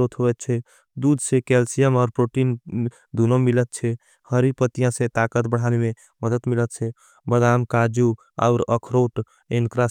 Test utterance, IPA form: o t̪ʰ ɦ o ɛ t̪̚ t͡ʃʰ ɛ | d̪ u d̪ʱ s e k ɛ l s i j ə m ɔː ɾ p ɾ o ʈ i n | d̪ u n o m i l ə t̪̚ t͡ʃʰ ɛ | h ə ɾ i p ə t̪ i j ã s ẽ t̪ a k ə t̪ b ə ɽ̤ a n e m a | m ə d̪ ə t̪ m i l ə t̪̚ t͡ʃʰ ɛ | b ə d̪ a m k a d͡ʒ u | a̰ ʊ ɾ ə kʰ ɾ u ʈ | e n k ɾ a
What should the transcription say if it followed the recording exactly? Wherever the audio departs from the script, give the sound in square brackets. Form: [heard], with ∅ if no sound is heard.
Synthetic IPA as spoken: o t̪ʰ ɦ o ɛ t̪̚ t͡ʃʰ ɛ | d̪ u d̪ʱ s e k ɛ l s i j ə m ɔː ɾ p ɾ o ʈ i n | d̪ u n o m i l ə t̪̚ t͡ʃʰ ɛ | h ə ɾ i p ə t̪ i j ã s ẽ t̪ a k ə t̪ b ə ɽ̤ a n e m [e] | m ə d̪ ə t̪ m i l ə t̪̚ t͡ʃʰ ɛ | b ə d̪ a m k a d͡ʒ u | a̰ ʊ ɾ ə kʰ ɾ [o] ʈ | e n k ɾ a

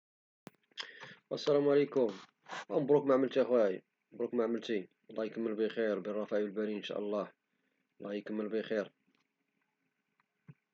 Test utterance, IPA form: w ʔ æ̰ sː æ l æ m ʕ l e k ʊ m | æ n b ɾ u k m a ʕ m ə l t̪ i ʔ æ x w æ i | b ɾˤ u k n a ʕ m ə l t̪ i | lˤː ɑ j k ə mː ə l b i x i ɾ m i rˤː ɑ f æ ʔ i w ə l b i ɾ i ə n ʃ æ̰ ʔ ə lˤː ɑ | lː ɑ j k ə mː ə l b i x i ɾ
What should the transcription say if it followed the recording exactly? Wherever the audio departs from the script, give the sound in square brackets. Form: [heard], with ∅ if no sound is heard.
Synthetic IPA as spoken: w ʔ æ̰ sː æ l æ m ʕ l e k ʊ m | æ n b ɾ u k m a ʕ m ə l t̪ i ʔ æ x w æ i | b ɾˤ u k [m] a ʕ m ə l t̪ i | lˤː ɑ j k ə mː ə l b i x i ɾ [b] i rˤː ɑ f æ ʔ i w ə l b [æ] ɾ i ə n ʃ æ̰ ʔ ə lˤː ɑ | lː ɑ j k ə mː ə l b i x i ɾ

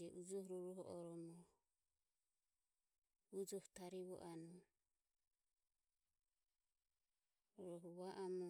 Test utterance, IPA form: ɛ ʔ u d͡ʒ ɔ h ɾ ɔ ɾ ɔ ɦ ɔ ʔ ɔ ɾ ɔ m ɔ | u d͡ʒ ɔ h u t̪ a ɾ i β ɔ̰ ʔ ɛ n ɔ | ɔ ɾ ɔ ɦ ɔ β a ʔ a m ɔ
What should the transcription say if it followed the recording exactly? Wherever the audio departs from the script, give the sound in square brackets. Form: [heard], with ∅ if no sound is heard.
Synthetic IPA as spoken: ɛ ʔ u d͡ʒ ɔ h ɾ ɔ ɾ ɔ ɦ ɔ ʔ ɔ ɾ ɔ m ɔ | u d͡ʒ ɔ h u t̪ a ɾ i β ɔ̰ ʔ [a] n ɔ | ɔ ɾ ɔ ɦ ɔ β a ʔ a m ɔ

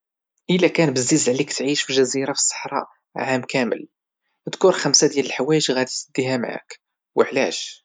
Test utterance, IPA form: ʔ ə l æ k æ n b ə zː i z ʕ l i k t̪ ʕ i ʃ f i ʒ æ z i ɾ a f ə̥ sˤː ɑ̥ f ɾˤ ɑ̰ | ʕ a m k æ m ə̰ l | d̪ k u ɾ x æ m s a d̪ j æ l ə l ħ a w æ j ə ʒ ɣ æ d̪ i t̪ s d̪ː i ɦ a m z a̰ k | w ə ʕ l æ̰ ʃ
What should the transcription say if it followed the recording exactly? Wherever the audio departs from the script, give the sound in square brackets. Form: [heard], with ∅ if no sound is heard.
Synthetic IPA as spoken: ʔ ə l æ k æ n b ə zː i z ʕ l i k t̪ ʕ i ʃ f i ʒ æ z i ɾ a f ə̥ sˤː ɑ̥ [ħ] ɾˤ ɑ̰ | ʕ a m k æ m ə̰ l | d̪ k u ɾ x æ m s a d̪ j æ l ə l ħ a w æ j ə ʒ ɣ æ d̪ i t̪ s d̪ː i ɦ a m [ʕ] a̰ k | w ə ʕ l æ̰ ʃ

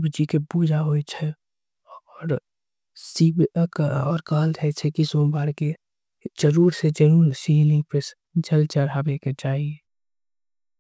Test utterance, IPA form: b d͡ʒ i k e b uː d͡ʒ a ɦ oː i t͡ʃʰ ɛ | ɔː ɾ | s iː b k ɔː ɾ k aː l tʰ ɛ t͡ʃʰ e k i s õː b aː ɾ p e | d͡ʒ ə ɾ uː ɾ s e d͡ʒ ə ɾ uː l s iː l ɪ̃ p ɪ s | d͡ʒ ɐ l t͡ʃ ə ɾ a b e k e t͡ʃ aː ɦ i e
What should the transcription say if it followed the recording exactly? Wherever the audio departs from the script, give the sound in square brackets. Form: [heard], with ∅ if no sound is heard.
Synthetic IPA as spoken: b d͡ʒ i k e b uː d͡ʒ a ɦ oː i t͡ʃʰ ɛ | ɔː ɾ | s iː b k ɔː ɾ k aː l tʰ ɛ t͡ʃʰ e k i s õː b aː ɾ [k] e | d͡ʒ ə ɾ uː ɾ s e d͡ʒ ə ɾ uː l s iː l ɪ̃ p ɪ s | d͡ʒ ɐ l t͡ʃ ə ɾ a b e k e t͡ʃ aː ɦ i e

